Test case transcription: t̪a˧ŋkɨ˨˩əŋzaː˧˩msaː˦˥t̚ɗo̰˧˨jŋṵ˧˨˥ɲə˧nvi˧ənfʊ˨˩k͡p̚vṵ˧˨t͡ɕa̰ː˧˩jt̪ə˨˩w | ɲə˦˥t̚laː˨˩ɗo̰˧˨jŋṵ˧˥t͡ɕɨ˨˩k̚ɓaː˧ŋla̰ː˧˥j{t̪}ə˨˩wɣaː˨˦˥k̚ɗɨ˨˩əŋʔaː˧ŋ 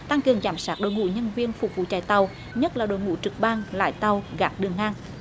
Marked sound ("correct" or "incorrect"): correct